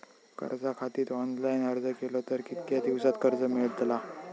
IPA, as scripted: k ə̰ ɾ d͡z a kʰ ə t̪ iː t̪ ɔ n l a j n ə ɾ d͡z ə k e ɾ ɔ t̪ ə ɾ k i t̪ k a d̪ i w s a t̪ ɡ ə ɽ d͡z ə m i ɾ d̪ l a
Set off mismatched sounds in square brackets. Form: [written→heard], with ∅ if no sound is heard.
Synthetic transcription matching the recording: k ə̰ ɾ d͡z a kʰ [ə→a] t̪ iː t̪ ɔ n l a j n ə ɾ d͡z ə k e [ɾ→l] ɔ t̪ ə ɾ k i t̪ k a d̪ i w s a t̪ [ɡ→k] ə [ɽ→ɾ] d͡z ə m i [ɾ→ɭ] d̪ l a

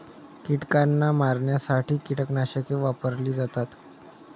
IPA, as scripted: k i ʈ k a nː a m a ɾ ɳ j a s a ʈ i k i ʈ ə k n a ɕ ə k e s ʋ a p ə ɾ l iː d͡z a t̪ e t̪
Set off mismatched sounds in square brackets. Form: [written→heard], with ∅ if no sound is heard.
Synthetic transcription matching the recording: k i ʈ k a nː a m a ɾ ɳ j a s a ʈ [i→iː] k i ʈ ə k n a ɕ ə k e [s→∅] ʋ a p ə ɾ l iː d͡z a t̪ [e→a] t̪

